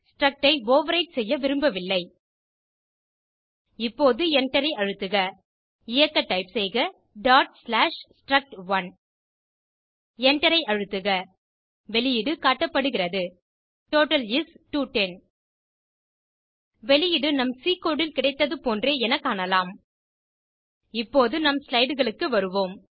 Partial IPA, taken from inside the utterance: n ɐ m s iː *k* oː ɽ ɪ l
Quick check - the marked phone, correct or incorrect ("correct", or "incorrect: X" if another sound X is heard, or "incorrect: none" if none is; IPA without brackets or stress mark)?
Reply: correct